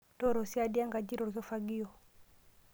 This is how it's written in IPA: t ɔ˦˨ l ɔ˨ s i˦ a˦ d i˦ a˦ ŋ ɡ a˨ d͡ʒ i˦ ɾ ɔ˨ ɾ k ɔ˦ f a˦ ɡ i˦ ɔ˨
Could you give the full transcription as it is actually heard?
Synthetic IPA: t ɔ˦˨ ɾ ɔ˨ s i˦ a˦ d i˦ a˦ ŋ ɡ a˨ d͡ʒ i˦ ɾ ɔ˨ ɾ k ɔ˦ f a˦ ɡ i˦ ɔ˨